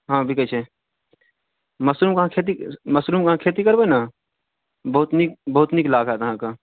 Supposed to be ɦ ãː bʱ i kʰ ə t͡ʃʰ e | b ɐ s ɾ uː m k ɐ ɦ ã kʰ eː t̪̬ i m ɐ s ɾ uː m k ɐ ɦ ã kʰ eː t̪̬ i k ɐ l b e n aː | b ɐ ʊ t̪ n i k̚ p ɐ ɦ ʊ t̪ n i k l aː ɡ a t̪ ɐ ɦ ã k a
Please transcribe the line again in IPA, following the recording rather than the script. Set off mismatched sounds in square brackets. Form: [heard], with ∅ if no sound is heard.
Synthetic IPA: ɦ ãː bʱ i [k] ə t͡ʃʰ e | [m] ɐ s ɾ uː m k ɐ ɦ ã kʰ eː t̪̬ i m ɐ s ɾ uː m k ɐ ɦ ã kʰ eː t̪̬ i k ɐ [ɾ] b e n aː | b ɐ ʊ t̪ n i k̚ [b] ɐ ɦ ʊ t̪ n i k l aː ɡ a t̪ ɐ ɦ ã k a